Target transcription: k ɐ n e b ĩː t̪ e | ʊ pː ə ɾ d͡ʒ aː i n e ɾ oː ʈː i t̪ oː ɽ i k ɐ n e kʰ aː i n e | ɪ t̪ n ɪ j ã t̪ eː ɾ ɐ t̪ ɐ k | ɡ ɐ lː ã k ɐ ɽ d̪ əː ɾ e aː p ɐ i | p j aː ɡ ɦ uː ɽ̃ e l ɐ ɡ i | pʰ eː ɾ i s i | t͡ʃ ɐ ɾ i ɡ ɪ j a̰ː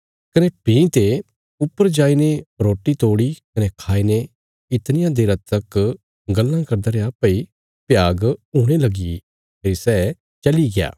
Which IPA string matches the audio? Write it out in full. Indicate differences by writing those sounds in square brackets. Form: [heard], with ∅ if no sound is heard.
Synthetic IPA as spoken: k ɐ n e [p] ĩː t̪ e | ʊ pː ə ɾ d͡ʒ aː i n e ɾ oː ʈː i t̪ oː ɽ i k ɐ n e kʰ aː i n e | ɪ t̪ n ɪ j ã [d̪] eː ɾ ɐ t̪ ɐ k | ɡ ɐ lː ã k ɐ [ɾ] d̪ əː ɾ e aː p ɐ i | p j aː ɡ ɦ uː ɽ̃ e l ɐ ɡ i | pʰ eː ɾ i s [ɛ] | t͡ʃ ɐ [l] i ɡ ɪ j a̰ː